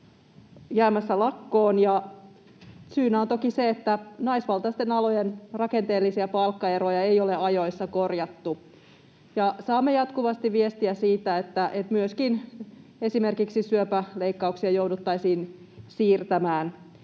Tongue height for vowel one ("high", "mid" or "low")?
low